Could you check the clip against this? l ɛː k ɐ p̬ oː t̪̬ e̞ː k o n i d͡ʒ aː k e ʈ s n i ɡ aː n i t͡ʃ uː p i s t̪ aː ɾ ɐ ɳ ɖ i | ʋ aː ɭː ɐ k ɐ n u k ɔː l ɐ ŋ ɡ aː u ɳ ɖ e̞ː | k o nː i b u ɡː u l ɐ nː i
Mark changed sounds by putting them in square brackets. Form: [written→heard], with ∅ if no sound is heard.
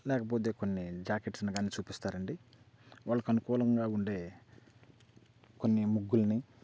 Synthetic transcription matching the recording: l ɛː k ɐ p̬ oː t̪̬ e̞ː k o [n→nː] i d͡ʒ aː k e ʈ s n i ɡ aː n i t͡ʃ uː p i s t̪ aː ɾ ɐ ɳ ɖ i | ʋ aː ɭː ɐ k ɐ n u k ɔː l ɐ ŋ ɡ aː u ɳ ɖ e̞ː | k o nː i [b→m] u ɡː u l ɐ [nː→n] i